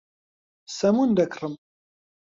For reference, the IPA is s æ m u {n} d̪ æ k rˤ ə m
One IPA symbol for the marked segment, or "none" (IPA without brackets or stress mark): n